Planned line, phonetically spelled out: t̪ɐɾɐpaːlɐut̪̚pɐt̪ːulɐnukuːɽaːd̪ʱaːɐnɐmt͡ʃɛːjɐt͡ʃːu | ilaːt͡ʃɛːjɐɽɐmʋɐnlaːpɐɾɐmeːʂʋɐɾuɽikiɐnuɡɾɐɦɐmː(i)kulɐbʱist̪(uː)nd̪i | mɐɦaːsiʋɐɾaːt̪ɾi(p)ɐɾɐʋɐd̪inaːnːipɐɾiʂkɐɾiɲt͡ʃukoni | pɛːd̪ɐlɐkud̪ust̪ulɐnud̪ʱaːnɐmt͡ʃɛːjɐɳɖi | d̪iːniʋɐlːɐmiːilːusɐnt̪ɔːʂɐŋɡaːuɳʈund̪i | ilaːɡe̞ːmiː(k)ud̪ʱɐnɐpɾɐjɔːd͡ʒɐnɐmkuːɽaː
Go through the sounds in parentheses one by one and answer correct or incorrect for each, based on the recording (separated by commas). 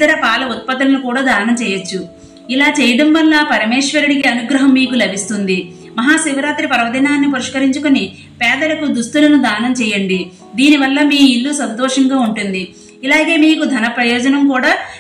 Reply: incorrect, incorrect, correct, correct